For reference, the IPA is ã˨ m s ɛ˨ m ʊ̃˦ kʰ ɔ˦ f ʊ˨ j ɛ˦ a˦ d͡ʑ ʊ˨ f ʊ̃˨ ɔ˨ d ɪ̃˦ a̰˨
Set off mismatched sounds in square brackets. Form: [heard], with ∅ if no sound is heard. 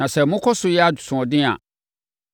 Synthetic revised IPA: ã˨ [∅] s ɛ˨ m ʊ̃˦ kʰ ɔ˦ [s] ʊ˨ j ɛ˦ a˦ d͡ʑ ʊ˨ [s] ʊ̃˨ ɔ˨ d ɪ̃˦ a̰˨

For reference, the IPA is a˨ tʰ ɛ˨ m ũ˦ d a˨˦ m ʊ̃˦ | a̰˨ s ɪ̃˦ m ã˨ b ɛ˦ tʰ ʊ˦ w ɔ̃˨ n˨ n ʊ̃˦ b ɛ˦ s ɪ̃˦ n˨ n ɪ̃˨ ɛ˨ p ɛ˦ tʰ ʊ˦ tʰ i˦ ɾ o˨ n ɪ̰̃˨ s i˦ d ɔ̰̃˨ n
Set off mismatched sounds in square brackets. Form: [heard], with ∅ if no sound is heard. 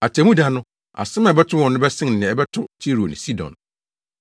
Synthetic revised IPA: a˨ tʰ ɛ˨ m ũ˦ d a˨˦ [n] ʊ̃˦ | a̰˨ s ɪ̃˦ m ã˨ b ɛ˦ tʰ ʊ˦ w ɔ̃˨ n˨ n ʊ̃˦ b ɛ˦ s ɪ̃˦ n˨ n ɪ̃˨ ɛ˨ [b] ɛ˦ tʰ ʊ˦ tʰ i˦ ɾ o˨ n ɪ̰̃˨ s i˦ d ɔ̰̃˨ n

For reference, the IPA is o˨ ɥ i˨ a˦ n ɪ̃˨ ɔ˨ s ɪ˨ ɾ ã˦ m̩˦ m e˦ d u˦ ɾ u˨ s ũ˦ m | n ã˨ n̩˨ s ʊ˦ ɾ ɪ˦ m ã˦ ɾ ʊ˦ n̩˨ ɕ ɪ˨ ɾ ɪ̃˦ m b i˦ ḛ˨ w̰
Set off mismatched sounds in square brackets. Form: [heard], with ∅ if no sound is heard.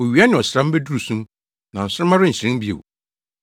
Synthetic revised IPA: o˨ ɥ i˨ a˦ n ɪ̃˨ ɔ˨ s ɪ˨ ɾ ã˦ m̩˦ [b] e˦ d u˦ ɾ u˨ s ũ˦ m | n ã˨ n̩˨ s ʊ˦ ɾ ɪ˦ m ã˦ ɾ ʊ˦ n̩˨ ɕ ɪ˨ ɾ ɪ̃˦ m b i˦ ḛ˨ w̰

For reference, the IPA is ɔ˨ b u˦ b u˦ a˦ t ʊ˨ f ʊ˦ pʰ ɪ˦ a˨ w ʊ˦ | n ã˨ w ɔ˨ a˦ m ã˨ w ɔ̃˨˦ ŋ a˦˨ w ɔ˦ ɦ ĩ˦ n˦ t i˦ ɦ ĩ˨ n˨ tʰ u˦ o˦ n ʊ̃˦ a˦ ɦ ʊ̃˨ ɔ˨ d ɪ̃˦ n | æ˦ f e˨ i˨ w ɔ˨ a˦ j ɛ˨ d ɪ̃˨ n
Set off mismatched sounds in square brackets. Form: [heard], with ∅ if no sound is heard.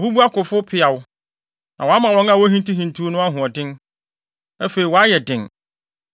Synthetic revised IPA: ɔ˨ b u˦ b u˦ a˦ [k] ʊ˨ f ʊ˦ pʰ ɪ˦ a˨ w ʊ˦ | n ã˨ w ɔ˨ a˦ m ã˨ w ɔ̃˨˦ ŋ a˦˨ w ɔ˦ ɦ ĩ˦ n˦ t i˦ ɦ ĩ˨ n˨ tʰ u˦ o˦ n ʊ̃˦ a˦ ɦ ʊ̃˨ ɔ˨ d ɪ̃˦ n | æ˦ f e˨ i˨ w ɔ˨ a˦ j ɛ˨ d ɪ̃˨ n

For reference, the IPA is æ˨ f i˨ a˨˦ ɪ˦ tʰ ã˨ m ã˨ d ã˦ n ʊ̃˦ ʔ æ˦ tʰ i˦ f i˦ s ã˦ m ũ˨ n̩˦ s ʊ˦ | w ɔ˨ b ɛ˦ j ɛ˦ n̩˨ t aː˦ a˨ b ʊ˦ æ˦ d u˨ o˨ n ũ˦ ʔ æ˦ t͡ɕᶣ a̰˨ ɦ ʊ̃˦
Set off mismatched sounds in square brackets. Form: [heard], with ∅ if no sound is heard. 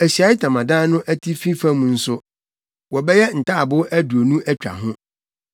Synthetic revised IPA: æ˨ [ɕ] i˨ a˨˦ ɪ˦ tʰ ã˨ m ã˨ d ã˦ n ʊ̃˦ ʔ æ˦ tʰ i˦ f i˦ [f] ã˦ m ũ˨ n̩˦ s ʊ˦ | w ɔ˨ b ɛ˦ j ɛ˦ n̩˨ t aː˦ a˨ b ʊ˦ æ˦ d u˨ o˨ n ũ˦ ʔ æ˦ t͡ɕᶣ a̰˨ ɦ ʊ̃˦

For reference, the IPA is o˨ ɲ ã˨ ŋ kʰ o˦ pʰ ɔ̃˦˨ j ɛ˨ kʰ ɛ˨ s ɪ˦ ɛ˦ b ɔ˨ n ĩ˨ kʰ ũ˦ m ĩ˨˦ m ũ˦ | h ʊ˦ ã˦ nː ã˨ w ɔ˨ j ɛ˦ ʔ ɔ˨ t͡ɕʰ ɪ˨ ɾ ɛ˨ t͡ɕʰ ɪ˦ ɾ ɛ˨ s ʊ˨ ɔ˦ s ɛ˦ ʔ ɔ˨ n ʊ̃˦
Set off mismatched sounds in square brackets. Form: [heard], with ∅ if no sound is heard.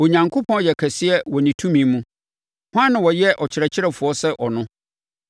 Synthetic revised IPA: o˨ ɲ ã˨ ŋ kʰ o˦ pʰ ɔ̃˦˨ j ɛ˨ kʰ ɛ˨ s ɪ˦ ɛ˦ [w] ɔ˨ n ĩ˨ [tʰ] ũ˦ m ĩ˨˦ m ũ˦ | h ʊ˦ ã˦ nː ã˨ w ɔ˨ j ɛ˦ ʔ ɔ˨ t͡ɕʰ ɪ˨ ɾ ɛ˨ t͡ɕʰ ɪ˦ ɾ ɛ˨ [f] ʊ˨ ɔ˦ s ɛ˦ ʔ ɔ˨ n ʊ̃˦

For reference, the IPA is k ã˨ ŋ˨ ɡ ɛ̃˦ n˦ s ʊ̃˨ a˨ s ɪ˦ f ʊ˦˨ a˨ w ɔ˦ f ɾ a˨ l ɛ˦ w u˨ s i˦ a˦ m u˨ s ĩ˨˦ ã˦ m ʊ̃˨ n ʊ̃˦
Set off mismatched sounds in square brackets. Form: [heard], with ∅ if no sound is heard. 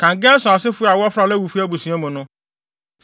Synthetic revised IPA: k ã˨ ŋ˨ ɡ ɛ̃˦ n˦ s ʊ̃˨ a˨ s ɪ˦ f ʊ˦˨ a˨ w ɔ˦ f ɾ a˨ l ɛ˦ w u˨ [f] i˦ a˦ [b] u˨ s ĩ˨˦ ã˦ m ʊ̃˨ n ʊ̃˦

